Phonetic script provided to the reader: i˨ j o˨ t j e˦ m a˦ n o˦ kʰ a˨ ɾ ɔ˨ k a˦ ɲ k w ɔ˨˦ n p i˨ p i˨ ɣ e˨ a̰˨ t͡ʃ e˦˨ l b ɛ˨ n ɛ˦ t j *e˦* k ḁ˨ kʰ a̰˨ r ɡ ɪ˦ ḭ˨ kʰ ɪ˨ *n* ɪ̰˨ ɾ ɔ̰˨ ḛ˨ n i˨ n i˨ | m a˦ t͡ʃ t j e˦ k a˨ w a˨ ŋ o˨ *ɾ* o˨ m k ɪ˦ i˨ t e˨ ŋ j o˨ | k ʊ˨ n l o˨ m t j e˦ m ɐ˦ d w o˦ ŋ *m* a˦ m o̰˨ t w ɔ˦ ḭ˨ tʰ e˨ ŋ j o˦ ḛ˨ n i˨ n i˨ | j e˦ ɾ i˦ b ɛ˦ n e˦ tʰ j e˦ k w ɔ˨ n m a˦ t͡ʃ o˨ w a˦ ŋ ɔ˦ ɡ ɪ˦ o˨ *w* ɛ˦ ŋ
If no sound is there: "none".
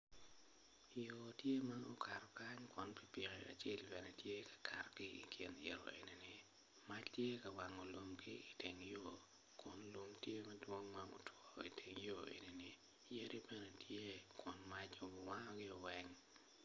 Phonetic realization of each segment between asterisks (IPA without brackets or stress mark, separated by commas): e˦, n, l, m, w